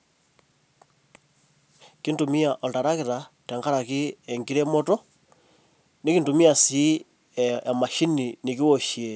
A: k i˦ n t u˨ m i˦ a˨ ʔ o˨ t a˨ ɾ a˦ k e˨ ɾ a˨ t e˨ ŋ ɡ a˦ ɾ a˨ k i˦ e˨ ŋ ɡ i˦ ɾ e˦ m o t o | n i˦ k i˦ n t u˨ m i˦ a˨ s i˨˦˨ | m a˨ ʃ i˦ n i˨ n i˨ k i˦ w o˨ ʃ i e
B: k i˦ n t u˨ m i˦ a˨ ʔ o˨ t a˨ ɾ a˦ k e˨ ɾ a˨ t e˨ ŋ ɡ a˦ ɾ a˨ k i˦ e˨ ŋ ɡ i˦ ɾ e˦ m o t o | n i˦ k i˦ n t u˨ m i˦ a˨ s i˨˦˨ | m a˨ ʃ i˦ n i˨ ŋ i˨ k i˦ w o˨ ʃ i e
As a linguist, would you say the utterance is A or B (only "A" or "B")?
A